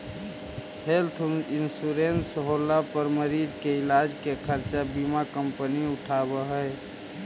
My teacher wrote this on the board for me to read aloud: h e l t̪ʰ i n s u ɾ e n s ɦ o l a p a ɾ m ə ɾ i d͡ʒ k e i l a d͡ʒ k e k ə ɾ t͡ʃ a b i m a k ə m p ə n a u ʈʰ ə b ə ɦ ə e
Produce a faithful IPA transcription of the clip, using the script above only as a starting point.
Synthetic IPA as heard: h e l t̪ʰ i n s u ɾ e n s ɦ o l a p ə ɾ m ə ɾ i d͡ʒ k e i l a d͡ʒ k e kʰ ə ɾ t͡ʃ a b i m a k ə m p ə n i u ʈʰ a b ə ɦ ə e